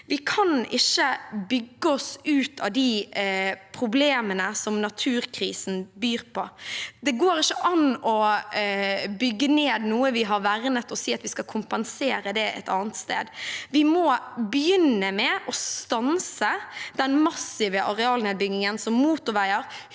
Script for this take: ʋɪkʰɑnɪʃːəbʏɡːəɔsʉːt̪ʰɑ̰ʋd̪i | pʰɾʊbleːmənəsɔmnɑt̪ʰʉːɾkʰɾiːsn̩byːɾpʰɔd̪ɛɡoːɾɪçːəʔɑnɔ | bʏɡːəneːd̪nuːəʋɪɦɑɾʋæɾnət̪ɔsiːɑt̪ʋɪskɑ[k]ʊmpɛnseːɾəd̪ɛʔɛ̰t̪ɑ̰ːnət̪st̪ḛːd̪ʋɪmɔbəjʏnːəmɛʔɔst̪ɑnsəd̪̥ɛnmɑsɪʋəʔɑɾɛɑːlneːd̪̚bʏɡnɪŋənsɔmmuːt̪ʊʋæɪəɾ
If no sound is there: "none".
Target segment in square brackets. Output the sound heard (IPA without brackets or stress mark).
kʰ